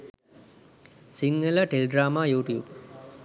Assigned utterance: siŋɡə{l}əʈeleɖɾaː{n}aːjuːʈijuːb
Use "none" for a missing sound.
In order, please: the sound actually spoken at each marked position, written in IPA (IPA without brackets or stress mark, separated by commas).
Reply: l, m